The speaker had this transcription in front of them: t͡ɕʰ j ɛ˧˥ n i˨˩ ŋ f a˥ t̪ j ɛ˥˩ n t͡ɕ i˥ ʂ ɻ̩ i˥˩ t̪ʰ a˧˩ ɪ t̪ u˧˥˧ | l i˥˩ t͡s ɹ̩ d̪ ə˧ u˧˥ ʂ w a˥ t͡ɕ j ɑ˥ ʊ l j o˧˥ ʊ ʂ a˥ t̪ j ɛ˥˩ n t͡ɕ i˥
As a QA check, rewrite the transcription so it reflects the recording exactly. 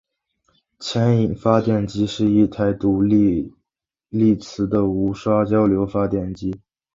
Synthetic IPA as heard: t͡ɕʰ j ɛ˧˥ n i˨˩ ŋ f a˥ t̪ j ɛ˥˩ n t͡ɕ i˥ ʂ ɻ̩ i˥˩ t̪ʰ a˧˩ ɪ t̪ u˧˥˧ | l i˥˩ t͡sʰ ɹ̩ d̪ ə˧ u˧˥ ʂ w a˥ t͡ɕ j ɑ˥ ʊ l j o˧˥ ʊ f a˥ t̪ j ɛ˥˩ n t͡ɕ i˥

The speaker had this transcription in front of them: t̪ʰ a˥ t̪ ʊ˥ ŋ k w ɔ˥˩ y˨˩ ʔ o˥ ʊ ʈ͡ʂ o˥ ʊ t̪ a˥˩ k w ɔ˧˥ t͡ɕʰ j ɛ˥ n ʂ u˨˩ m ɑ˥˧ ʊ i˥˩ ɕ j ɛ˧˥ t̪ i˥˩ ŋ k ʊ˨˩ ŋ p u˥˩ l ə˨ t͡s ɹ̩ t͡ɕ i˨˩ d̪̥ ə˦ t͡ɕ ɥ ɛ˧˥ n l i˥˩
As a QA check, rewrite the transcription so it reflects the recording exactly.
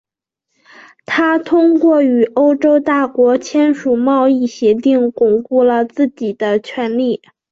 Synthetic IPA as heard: t̪ʰ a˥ t̪ʰ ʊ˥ ŋ k w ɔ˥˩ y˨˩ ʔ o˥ ʊ ʈ͡ʂ o˥ ʊ t̪ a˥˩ k w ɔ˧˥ t͡ɕʰ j ɛ˥ n ʂ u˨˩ m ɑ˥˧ ʊ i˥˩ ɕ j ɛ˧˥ t̪ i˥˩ ŋ k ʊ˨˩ ŋ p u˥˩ l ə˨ t͡s ɹ̩ t͡ɕ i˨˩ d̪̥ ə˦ t͡ɕʰ ɥ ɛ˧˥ n l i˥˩

